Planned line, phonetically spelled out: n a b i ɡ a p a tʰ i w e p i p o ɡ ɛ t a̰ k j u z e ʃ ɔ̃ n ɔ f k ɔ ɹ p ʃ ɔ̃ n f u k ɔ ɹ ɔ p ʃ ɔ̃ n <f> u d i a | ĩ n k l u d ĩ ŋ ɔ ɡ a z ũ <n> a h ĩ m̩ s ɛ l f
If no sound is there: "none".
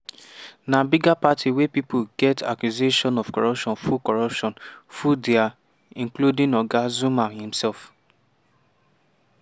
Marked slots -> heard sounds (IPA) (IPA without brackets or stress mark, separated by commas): f, m